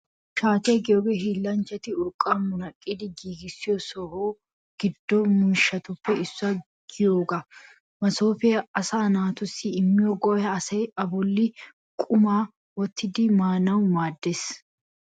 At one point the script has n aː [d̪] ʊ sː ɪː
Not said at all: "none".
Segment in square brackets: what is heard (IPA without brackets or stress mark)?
t̪